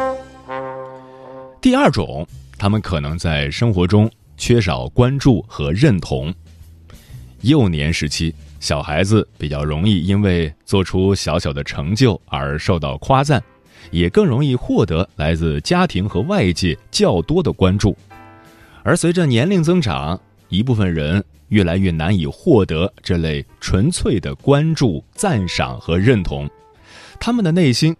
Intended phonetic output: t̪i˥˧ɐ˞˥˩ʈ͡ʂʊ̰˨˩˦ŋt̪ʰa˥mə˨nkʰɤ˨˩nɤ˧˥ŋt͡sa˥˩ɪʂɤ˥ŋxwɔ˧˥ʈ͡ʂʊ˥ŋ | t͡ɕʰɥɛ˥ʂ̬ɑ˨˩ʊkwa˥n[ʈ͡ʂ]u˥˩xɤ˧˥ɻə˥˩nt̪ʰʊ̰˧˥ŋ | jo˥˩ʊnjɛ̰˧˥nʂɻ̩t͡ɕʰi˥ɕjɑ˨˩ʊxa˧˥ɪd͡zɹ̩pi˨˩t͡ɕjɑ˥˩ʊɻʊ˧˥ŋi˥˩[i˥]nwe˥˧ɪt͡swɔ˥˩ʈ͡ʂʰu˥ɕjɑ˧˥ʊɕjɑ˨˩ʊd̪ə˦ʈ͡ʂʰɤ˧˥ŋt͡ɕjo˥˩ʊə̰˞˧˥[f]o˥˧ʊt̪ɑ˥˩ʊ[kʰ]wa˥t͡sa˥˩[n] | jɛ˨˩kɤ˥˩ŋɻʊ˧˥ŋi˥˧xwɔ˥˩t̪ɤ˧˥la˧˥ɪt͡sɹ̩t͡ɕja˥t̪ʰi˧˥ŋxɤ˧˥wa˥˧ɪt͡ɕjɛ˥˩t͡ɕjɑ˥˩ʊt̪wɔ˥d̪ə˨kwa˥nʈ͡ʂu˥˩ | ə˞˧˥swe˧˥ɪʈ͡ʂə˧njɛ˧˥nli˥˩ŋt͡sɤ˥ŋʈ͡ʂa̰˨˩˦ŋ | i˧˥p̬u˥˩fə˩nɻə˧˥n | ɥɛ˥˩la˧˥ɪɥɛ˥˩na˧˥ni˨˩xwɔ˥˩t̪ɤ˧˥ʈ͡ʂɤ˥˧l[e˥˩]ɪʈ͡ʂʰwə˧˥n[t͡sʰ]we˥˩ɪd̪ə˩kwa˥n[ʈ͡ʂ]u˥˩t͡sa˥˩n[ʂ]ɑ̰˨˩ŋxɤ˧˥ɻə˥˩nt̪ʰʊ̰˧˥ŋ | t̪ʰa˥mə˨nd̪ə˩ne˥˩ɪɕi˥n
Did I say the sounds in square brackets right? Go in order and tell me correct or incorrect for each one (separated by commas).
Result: correct, correct, incorrect, correct, correct, correct, correct, correct, correct